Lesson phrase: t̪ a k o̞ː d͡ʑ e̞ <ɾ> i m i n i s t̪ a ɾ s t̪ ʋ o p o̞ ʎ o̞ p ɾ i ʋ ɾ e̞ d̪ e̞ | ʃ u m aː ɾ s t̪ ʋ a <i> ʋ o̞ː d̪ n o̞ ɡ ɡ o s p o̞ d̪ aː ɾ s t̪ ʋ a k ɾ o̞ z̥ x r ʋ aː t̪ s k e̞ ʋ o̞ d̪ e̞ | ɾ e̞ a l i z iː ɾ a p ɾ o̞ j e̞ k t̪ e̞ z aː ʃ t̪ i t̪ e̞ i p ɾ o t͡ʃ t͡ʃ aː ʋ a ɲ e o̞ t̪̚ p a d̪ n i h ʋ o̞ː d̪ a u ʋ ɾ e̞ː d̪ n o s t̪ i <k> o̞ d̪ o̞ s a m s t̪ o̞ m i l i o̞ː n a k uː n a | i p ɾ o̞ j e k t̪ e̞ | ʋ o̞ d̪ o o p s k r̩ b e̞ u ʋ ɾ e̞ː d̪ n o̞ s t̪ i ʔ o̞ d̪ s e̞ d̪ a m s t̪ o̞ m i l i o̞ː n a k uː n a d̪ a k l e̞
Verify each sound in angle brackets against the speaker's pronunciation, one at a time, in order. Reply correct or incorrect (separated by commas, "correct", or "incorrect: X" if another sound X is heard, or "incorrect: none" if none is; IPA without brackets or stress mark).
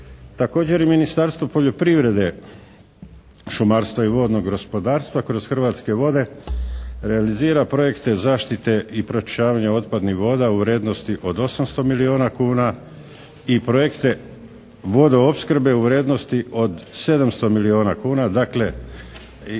correct, correct, incorrect: ʔ